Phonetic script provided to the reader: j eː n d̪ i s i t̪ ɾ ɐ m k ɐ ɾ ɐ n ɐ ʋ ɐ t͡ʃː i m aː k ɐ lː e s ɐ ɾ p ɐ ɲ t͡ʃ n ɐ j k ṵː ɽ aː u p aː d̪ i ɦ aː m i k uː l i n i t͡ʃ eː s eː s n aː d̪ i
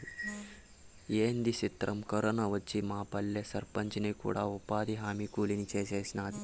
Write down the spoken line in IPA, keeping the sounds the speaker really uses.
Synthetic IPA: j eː n d̪ i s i t̪ ɾ ɐ m k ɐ ɾ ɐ n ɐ ʋ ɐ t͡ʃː i m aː p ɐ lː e s ɐ ɾ p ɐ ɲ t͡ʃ n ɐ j k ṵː ɽ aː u p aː d̪ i ɦ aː m i k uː l i n i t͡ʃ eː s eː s n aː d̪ i

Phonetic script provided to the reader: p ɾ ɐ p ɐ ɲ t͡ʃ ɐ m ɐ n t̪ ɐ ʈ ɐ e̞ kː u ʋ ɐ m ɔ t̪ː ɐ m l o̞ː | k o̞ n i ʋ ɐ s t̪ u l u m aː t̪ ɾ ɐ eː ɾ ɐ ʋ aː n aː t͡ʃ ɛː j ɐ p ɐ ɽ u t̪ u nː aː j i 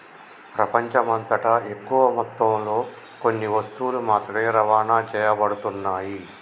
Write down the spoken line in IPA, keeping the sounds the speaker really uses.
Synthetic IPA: p ɾ ɐ p ɐ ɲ t͡ʃ ɐ m ɐ n t̪ ɐ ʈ ɐ e̞ kː u ʋ ɐ m ɔ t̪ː ɐ m l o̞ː | k o̞ nː i ʋ ɐ s t̪ u l u m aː t̪ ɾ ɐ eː ɾ ɐ ʋ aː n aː t͡ʃ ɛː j ɐ b ɐ ɽ u t̪ u nː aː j i

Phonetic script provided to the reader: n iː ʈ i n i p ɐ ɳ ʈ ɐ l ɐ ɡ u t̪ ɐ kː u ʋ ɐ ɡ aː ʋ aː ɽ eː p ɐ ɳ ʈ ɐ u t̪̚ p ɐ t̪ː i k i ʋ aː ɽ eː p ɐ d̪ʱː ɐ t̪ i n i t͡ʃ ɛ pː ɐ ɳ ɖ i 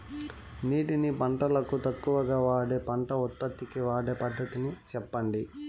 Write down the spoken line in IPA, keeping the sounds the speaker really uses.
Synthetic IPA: n iː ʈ i n i p ɐ ɳ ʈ ɐ l ɐ k u t̪ ɐ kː u ʋ ɐ ɡ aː ʋ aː ɽ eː p ɐ ɳ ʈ ɐ u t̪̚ p ɐ t̪ː i k i ʋ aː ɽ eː p ɐ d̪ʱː ɐ t̪ i n i t͡ʃ ɛ pː ɐ ɳ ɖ i

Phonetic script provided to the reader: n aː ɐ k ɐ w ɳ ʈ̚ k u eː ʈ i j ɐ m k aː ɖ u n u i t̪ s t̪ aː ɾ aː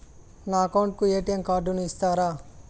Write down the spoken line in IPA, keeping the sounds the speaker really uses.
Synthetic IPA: n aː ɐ k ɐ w ɳ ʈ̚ k u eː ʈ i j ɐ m k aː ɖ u n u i s t̪ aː ɾ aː

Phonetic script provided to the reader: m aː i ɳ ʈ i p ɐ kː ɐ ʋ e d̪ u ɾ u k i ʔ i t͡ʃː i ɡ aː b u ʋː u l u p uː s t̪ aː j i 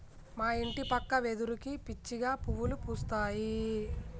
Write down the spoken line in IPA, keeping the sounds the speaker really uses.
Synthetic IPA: m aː i ɳ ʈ i p ɐ kː ɐ ʋ e d̪ u ɾ u k i p i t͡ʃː i ɡ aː p u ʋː u l u p uː s t̪ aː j i

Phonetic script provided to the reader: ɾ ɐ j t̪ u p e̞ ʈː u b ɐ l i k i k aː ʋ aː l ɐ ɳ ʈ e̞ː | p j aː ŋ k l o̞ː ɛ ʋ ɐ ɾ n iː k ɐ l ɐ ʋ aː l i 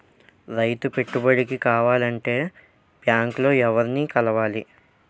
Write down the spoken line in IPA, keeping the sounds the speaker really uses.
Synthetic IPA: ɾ ɐ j t̪ u p e̞ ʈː u b ɐ ɽ i k i k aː ʋ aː l ɐ ɳ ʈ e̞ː | p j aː ŋ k l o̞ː ɛ ʋ ɐ ɾ n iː k ɐ l ɐ ʋ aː l i

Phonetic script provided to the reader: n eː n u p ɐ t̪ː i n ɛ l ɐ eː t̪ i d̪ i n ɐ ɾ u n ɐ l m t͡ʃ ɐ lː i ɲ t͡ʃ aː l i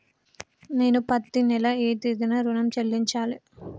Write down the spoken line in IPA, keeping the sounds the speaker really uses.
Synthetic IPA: n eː n u p ɐ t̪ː i n ɛ l ɐ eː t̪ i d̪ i n ɐ ɾ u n ɐ m t͡ʃ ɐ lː i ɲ t͡ʃ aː l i

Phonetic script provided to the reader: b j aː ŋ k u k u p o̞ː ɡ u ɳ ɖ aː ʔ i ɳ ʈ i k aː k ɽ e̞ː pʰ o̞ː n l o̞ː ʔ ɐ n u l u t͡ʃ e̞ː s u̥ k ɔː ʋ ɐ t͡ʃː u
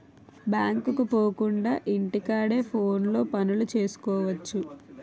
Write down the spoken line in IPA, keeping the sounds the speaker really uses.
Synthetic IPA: b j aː ŋ k u k u p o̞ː k u ɳ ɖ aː ʔ i ɳ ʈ i k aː ɽ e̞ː pʰ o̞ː n l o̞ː p ɐ n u l u t͡ʃ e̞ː s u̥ k ɔː ʋ ɐ t͡ʃː u

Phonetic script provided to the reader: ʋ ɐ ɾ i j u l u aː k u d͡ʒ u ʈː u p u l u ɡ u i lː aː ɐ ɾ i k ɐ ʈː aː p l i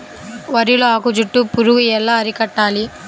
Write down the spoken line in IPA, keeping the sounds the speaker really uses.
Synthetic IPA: ʋ ɐ ɾ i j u l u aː k u d͡ʒ u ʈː u p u ɾ u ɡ u ɛ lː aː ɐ ɾ i k ɐ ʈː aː l i

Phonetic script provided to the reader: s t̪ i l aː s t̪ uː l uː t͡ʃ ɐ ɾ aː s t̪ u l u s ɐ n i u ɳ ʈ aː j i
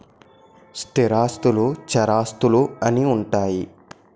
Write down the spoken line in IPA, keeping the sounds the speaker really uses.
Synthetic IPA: s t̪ i ɾ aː s t̪ u l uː t͡ʃ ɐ ɾ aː s t̪ u l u ɐ n i u ɳ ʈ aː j i

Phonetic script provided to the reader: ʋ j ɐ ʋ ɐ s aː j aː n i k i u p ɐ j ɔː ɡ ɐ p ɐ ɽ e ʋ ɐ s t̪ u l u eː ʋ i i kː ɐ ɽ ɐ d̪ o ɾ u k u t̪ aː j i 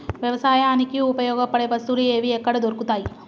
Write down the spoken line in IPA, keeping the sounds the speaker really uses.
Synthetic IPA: ʋ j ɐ ʋ ɐ s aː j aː n i k i u p ɐ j ɔː ɡ ɐ p ɐ ɽ e ʋ ɐ s t̪ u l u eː ʋ i ɛ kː ɐ ɽ ɐ d̪ o ɾ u k u t̪ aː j i

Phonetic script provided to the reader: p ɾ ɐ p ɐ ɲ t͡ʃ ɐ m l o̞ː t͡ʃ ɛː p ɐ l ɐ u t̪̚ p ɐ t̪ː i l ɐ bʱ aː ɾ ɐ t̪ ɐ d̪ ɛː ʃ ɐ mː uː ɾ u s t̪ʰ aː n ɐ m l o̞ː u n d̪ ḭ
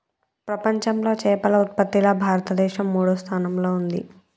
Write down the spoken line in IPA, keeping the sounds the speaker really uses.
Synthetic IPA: p ɾ ɐ p ɐ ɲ t͡ʃ ɐ m l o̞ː t͡ʃ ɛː p ɐ l ɐ u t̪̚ p ɐ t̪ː i l ɐ bʱ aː ɾ ɐ t̪ ɐ d̪ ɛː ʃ ɐ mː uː ɽ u s t̪ʰ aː n ɐ m l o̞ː u n d̪ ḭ

